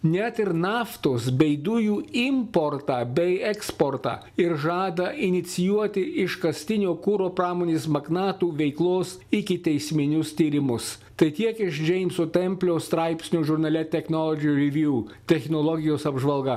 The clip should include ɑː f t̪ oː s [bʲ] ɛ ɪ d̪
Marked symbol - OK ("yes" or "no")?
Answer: yes